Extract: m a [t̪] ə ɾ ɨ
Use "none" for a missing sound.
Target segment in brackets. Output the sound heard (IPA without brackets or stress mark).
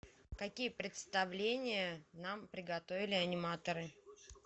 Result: t̪